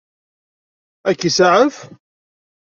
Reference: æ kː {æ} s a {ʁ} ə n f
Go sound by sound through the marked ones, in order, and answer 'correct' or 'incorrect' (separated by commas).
incorrect, incorrect